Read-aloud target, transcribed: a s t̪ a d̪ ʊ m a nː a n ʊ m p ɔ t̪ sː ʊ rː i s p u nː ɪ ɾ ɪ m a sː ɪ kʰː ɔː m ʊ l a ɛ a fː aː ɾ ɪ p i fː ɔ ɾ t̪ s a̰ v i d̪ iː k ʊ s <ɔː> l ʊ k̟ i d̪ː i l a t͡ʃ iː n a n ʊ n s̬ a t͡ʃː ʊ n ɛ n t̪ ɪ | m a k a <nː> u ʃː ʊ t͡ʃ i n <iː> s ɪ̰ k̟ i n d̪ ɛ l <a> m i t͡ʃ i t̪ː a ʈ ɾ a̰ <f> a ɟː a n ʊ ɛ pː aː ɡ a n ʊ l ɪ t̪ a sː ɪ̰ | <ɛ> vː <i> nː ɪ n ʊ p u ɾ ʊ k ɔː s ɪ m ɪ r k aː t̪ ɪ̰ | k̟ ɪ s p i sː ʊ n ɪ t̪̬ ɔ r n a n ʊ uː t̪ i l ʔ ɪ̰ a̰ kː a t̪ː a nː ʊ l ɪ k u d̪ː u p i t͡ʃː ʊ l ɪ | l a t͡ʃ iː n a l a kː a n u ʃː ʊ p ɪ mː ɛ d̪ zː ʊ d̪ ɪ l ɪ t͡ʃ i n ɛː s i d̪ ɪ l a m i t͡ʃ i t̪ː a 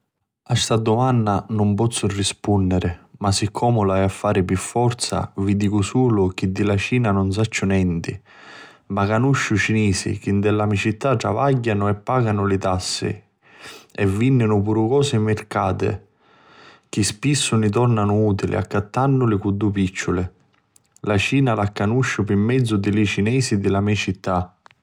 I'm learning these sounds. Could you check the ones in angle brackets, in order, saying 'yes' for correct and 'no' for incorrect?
no, no, yes, yes, no, yes, yes

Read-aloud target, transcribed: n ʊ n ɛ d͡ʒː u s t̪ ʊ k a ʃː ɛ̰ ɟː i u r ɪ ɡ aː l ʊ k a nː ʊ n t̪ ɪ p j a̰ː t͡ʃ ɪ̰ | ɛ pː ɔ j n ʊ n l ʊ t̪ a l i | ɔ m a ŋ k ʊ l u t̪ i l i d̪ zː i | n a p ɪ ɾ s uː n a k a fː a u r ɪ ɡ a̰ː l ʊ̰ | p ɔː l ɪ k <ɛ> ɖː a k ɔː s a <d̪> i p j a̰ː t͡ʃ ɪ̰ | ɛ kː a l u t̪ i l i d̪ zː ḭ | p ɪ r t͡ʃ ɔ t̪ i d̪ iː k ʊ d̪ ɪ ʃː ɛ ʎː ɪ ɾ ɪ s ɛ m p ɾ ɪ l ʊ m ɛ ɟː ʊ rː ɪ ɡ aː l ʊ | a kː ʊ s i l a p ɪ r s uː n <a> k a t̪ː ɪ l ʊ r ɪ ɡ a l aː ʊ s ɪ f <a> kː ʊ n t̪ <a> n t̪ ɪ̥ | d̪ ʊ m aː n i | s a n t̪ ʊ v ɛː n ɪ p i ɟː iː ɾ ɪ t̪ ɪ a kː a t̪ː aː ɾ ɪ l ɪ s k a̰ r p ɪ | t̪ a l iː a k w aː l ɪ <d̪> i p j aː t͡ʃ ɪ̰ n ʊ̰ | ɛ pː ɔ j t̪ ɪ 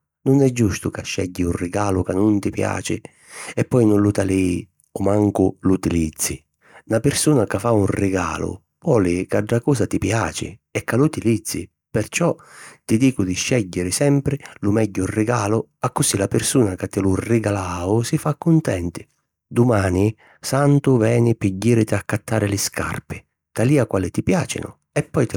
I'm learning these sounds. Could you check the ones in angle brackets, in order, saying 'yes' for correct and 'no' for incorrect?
no, no, yes, yes, no, no

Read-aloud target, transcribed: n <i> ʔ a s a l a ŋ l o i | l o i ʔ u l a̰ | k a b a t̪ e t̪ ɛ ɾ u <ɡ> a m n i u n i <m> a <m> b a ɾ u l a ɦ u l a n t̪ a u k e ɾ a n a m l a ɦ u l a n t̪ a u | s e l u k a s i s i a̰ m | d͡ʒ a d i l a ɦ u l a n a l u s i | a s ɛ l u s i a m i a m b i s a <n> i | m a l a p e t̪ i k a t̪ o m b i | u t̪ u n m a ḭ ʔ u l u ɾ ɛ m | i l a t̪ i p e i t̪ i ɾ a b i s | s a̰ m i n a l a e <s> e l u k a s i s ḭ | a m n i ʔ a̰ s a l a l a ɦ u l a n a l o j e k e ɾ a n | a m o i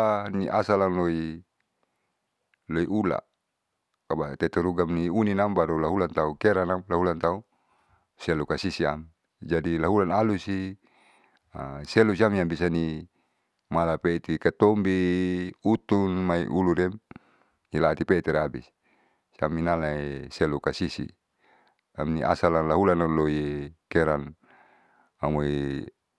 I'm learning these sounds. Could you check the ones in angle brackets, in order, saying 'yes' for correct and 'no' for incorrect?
yes, yes, no, yes, yes, yes

